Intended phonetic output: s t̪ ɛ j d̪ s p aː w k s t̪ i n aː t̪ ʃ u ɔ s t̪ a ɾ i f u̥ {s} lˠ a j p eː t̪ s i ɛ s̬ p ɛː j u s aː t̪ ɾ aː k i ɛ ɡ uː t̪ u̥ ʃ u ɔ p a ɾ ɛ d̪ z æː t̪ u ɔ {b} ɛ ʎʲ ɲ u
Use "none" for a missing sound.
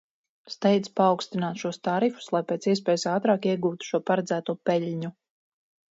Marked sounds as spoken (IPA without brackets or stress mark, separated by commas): s, p